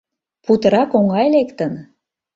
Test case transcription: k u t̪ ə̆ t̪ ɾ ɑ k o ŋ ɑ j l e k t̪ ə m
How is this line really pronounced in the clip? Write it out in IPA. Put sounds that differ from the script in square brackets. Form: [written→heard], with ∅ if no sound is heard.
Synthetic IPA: [k→p] u t̪ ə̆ [t̪→∅] ɾ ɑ k o ŋ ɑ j l e k t̪ ə [m→n]